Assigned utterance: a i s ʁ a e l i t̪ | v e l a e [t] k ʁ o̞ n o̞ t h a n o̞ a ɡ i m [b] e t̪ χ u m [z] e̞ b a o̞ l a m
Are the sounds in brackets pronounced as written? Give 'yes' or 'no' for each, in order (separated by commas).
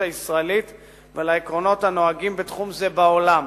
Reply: no, yes, yes